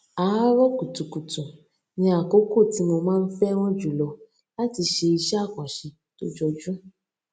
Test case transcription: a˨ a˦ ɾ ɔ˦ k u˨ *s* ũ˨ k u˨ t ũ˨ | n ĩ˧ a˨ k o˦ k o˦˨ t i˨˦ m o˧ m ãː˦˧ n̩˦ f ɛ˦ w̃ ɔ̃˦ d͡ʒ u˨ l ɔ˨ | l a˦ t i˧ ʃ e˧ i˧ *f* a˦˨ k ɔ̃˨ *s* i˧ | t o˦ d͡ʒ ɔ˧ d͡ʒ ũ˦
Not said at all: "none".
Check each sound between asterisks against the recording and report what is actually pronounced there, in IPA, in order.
t, ʃ, ʃ

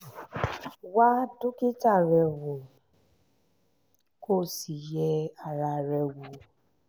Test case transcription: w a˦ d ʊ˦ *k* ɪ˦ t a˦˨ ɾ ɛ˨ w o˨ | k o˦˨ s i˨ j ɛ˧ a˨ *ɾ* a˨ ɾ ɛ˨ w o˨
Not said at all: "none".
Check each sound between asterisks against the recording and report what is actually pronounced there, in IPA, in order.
k, ɾ

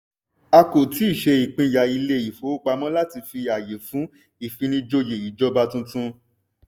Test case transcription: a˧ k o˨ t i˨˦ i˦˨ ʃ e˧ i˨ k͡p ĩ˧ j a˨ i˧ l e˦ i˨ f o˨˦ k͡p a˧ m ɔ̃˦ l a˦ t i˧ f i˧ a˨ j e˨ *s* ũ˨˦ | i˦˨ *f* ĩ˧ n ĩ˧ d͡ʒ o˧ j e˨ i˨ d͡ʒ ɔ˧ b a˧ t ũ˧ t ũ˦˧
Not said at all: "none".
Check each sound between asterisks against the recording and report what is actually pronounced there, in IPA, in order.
f, f

